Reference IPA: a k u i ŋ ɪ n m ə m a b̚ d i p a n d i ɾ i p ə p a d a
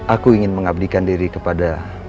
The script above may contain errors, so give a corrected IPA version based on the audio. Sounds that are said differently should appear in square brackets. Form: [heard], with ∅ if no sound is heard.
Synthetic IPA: a k u i ŋ ɪ n m ə [ŋ] a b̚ d i [k] a n d i ɾ i [k] ə p a d a